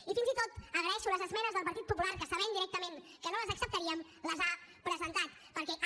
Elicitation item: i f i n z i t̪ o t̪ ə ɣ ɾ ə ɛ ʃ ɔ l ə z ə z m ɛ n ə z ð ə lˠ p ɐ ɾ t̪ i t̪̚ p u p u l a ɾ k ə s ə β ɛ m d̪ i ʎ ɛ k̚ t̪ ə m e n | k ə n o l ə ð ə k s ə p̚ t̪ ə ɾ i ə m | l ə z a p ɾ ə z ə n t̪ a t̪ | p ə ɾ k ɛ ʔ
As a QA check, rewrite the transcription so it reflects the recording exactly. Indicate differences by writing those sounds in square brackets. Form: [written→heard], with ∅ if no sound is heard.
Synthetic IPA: i f i n z i t̪ o t̪ ə ɣ ɾ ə ɛ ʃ [ɔ→u] l ə z ə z m ɛ n ə z ð ə lˠ p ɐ ɾ t̪ i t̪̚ p u p u l a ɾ k ə s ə β ɛ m d̪ i [ʎ→ɾ] ɛ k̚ t̪ ə m e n | k ə n o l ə [ð→z] ə k s ə p̚ t̪ ə ɾ i ə m | l ə z a p ɾ ə z ə n t̪ a t̪ | p ə ɾ k ɛ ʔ